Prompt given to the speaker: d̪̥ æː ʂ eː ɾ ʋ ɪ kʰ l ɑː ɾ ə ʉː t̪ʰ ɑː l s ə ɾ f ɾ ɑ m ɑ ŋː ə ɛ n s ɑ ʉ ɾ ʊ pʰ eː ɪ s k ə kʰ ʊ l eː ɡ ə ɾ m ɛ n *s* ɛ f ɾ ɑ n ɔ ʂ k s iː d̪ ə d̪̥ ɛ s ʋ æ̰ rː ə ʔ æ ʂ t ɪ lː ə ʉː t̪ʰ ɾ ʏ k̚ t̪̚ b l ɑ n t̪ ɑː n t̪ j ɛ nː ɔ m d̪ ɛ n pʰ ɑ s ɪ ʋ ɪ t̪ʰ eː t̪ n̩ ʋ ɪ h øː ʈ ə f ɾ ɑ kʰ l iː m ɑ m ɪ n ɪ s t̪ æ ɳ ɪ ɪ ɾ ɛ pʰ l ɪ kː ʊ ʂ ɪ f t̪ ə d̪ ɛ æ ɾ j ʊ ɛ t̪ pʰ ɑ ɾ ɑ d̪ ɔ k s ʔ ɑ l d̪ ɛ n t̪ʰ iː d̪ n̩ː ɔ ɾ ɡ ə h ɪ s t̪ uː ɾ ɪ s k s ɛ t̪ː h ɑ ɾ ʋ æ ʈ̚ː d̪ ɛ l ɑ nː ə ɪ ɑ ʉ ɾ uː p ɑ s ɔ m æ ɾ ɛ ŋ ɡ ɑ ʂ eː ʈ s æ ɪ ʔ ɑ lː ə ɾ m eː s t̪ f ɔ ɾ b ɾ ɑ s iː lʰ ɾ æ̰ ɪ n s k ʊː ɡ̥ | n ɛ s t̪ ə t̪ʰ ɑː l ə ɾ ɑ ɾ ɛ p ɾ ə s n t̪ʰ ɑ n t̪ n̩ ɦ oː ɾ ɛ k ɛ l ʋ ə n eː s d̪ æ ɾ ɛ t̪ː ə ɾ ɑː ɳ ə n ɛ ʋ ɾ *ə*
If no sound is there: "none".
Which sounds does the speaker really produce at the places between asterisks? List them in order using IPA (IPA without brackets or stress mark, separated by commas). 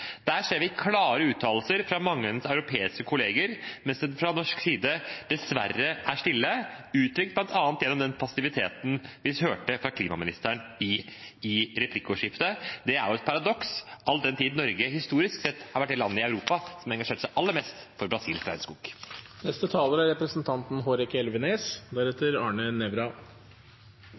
s, ɑ